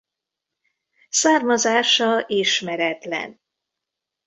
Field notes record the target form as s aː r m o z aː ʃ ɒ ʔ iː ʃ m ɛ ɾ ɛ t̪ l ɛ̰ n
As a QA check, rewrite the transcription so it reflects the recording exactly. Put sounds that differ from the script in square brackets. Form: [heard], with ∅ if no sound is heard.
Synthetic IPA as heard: s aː r m [ɒ] z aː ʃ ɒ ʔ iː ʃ m ɛ ɾ ɛ t̪ l ɛ̰ n